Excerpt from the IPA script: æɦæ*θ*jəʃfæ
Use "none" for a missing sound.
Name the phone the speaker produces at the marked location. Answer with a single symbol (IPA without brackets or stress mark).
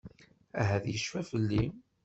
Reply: ð